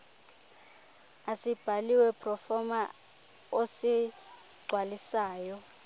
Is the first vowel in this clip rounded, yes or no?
no